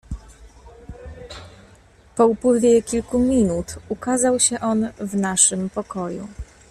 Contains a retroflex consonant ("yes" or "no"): yes